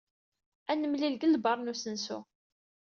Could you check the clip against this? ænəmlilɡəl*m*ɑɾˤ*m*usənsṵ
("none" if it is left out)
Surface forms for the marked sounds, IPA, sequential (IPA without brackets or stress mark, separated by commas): b, n